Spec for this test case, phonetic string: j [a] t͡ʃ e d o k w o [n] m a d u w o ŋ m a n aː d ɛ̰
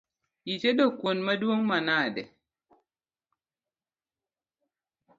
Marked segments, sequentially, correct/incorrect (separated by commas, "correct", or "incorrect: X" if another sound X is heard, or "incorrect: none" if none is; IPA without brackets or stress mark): incorrect: i, correct